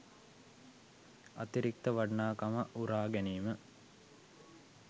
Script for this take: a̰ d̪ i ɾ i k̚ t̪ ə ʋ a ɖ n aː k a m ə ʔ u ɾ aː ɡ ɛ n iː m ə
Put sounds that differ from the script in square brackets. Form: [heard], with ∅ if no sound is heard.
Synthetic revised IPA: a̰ [t̪] i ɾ i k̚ t̪ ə ʋ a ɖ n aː k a m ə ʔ u ɾ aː ɡ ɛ n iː m ə